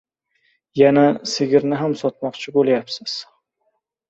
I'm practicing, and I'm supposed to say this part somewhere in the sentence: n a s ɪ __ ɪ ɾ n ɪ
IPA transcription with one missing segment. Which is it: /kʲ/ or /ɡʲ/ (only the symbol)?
ɡʲ